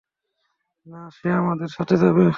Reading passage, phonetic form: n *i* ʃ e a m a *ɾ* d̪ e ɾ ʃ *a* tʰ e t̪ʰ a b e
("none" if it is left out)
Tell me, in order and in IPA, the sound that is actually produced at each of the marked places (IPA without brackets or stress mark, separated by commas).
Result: a, none, a